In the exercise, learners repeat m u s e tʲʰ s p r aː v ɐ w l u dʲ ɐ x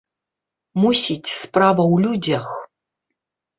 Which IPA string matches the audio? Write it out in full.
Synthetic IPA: m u s i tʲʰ s p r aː v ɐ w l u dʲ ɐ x